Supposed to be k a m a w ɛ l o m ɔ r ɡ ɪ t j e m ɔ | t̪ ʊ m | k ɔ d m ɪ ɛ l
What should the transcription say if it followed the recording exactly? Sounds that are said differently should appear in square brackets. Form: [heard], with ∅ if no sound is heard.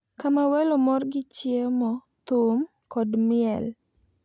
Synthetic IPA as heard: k a m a w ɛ l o m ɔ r ɡ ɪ [t͡ʃ] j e m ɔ | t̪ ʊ m | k ɔ d m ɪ ɛ l